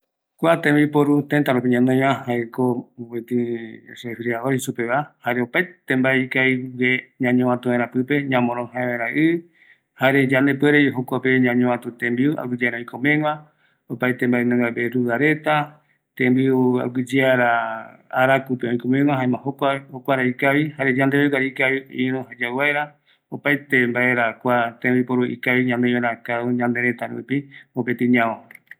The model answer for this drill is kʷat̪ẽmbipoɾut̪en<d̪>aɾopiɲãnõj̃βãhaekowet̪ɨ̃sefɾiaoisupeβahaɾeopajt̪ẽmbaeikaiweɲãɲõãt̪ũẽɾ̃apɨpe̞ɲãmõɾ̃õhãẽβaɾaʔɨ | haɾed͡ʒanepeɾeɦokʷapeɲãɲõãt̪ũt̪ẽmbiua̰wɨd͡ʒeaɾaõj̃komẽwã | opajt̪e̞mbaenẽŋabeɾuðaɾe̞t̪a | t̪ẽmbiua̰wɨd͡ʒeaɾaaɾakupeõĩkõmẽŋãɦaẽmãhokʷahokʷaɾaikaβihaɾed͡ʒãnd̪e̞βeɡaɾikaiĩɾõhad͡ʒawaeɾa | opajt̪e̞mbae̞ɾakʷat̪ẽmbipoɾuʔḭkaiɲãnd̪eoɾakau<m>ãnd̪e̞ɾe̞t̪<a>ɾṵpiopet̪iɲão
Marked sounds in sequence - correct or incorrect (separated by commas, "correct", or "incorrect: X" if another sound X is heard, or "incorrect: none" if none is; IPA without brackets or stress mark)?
incorrect: t̪, incorrect: ɲ, correct